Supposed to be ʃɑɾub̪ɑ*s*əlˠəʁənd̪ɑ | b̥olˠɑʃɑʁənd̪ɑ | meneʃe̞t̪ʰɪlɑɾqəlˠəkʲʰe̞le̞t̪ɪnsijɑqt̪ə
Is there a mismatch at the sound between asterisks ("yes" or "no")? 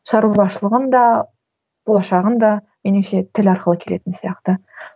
yes